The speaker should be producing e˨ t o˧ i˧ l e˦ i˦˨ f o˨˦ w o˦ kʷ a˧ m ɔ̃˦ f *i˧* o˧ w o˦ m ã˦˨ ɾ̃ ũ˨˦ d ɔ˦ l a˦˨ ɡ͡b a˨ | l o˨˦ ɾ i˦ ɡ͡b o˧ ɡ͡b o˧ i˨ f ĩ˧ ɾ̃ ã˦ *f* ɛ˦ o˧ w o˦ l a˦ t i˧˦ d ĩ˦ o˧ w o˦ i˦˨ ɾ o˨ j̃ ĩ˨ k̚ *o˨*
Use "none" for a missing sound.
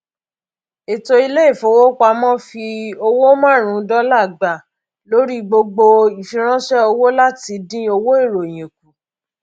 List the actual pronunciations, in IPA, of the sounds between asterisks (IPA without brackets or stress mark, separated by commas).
i˧, ʃ, u˨